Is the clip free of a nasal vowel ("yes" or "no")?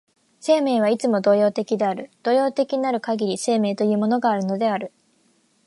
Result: yes